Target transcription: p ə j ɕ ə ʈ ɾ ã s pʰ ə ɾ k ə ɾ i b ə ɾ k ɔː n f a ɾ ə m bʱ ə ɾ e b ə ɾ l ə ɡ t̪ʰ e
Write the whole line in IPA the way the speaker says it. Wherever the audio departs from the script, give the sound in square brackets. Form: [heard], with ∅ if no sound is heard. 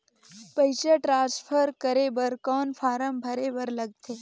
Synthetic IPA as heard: p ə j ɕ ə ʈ ɾ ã s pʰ ə ɾ k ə ɾ [e] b ə ɾ k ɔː n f a ɾ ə m bʱ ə ɾ e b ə ɾ l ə ɡ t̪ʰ e